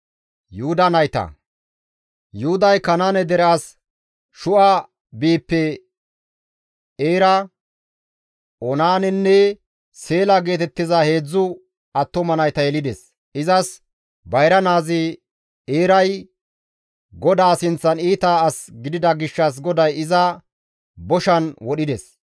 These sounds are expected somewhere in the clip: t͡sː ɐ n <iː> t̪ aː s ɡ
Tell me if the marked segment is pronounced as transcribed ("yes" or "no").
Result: yes